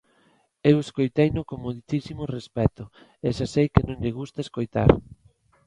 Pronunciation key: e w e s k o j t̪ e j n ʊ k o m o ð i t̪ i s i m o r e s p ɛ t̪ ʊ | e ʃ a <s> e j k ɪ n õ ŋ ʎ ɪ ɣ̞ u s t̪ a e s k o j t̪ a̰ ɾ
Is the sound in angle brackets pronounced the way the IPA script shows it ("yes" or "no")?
yes